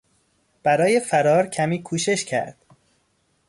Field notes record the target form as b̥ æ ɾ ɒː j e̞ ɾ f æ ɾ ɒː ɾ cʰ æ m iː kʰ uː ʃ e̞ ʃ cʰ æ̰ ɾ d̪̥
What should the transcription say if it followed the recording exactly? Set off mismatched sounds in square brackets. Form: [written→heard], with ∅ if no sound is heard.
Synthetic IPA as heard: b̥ æ ɾ ɒː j e̞ [ɾ→∅] f æ ɾ ɒː ɾ cʰ æ m iː kʰ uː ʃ e̞ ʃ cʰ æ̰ ɾ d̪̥